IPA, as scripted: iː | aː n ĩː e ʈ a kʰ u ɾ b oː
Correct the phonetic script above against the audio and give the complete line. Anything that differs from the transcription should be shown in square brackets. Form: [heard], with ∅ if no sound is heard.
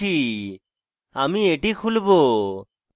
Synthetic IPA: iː | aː [m] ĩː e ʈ [i] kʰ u [l] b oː